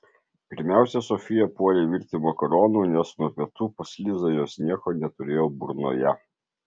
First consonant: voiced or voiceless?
voiceless